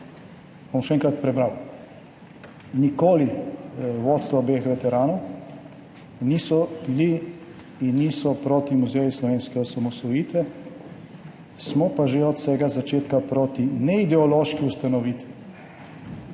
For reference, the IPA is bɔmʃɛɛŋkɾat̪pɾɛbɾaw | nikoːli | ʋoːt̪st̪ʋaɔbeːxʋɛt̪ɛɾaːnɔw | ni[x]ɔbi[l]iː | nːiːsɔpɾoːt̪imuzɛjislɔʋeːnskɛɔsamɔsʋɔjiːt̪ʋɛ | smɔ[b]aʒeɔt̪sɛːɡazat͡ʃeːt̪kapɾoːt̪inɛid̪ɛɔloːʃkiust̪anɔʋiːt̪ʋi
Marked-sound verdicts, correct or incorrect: incorrect, correct, incorrect

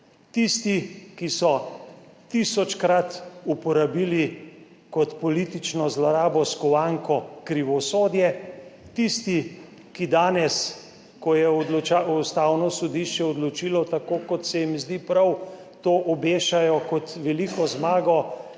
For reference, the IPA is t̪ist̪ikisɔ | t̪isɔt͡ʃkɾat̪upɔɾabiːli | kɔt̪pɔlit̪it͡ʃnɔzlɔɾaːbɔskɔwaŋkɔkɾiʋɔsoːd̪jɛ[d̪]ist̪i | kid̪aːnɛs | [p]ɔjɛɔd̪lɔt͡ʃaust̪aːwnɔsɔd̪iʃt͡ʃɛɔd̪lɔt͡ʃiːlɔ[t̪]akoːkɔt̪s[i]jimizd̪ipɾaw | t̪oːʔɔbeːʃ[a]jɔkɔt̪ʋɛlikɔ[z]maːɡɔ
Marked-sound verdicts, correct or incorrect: incorrect, incorrect, correct, incorrect, correct, correct

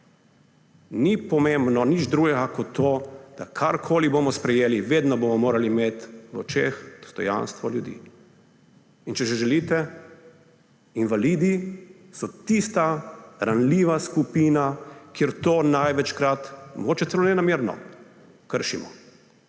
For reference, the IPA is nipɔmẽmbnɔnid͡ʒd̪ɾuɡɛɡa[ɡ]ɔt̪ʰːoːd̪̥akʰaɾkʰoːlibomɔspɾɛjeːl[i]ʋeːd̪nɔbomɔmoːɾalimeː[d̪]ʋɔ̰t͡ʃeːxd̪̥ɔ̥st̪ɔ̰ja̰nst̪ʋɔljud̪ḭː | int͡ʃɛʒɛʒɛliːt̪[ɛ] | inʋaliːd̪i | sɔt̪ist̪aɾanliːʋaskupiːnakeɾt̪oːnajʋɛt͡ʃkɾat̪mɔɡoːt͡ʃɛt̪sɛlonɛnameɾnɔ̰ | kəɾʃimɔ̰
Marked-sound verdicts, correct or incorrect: incorrect, correct, incorrect, correct

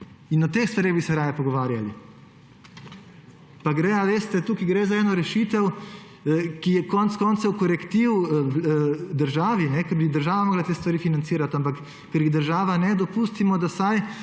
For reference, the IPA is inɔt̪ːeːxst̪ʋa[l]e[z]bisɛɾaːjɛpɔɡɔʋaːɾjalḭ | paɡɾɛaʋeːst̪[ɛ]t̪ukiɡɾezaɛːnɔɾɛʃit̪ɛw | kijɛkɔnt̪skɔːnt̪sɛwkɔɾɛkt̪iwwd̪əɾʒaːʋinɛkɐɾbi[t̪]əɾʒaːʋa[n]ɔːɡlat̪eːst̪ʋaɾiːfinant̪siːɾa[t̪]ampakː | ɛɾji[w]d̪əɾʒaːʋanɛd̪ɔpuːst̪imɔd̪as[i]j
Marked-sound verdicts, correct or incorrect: incorrect, incorrect, correct, incorrect, incorrect, correct, incorrect, incorrect

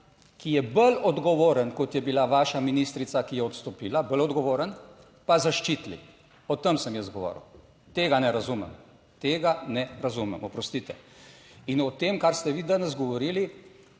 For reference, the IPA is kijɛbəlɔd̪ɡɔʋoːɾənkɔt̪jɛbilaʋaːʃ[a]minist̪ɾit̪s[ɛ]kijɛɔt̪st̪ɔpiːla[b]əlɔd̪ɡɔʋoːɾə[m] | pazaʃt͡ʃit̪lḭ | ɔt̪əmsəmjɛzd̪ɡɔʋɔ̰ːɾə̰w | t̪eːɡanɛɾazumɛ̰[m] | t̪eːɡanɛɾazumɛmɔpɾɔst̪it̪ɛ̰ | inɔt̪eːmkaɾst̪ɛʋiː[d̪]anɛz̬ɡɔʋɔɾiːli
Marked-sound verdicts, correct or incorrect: correct, incorrect, correct, incorrect, correct, correct

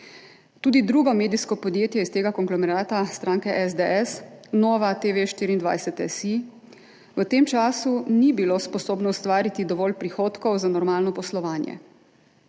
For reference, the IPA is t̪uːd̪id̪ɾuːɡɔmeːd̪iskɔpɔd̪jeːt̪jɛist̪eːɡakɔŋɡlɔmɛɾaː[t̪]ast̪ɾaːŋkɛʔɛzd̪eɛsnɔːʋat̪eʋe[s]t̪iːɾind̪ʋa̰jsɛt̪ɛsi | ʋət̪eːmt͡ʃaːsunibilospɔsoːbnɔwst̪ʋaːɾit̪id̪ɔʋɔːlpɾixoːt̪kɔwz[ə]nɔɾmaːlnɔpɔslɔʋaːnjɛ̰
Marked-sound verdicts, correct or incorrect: correct, incorrect, incorrect

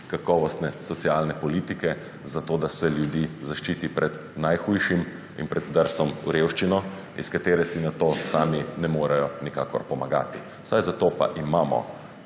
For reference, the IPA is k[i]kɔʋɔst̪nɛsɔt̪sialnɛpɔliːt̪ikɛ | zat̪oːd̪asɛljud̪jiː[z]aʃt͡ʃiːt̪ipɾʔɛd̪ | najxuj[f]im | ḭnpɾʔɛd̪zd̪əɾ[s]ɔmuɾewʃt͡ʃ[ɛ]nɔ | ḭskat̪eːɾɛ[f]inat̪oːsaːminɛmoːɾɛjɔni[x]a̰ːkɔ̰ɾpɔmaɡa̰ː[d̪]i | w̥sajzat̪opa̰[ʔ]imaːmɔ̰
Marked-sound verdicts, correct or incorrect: incorrect, correct, incorrect, correct, incorrect, incorrect, incorrect, incorrect, correct

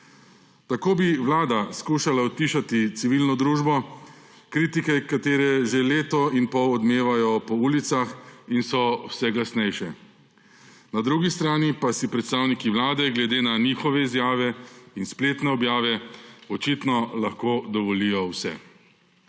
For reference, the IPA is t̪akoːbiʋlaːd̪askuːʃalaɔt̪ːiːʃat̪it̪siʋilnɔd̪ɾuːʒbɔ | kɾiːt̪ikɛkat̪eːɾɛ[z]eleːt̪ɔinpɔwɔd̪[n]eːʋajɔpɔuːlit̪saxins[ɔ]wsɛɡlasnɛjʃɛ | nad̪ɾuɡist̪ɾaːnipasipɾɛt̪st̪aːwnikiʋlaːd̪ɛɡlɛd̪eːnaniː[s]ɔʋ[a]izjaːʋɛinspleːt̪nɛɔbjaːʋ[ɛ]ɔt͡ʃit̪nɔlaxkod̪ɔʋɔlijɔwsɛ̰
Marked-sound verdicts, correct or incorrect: incorrect, incorrect, correct, incorrect, incorrect, correct

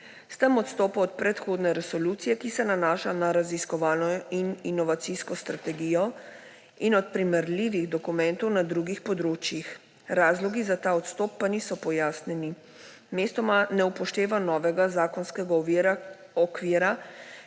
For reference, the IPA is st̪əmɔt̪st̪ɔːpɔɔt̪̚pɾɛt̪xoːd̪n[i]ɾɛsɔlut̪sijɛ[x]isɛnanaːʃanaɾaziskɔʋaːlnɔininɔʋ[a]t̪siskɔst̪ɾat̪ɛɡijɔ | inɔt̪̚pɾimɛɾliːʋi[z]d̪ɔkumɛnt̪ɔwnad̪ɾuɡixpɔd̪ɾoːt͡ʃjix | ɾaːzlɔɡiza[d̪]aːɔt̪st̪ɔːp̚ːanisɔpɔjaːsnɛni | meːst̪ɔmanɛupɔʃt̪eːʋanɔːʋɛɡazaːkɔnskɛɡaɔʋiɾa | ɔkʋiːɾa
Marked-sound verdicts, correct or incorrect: incorrect, incorrect, correct, incorrect, incorrect

